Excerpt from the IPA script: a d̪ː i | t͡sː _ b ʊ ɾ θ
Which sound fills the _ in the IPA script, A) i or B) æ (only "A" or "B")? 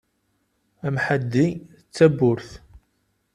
B